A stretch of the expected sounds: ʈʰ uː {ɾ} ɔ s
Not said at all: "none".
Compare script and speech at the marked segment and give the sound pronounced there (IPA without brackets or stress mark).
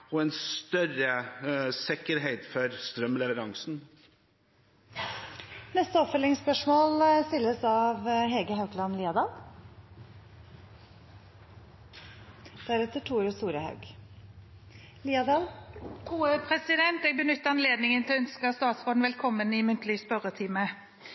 ɾ